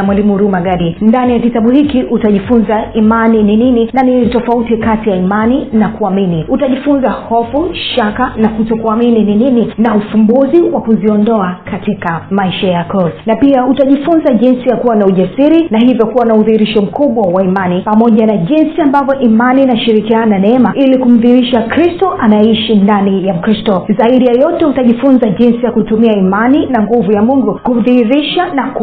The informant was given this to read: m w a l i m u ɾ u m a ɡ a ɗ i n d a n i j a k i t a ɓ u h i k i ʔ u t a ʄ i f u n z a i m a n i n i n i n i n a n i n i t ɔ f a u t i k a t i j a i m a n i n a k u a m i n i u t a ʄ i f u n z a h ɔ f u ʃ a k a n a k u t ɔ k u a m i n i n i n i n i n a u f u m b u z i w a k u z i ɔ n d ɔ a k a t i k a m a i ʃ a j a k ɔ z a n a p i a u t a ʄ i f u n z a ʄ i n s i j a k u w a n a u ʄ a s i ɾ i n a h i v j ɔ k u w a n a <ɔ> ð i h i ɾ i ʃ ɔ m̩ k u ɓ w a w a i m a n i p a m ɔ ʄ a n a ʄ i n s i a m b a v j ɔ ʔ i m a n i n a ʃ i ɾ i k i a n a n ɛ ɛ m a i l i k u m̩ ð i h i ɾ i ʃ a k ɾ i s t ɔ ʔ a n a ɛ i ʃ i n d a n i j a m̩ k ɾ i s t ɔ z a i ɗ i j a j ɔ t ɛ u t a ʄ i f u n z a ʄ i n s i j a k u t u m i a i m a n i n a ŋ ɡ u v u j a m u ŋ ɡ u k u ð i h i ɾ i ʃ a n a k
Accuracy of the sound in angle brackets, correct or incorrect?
incorrect